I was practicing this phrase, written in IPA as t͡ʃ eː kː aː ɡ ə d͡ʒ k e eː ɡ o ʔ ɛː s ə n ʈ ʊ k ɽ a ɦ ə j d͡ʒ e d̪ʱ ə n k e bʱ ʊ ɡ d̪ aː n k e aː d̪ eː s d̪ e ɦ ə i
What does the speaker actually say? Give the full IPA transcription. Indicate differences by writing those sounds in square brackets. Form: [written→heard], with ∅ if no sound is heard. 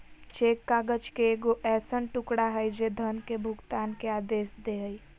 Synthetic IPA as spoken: t͡ʃ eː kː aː ɡ ə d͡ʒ k e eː ɡ o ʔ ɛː s ə n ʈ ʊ k ɽ a ɦ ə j d͡ʒ e d̪ʱ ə n k e bʱ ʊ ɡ [d̪→t̪] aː n k e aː d̪ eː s d̪ e ɦ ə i